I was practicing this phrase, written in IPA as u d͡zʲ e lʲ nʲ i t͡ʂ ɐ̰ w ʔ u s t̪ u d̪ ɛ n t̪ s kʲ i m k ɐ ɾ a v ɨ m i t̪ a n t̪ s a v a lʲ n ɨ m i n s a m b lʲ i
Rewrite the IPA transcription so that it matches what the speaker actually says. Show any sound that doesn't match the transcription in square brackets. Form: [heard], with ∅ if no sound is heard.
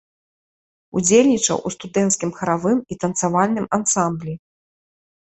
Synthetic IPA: u d͡zʲ e lʲ nʲ i t͡ʂ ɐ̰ w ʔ u s t̪ u d̪ ɛ n t̪ s kʲ i m [x] ɐ ɾ a v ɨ m i t̪ [ɐ] n t̪ s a v a lʲ n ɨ m [a] n s a m b lʲ i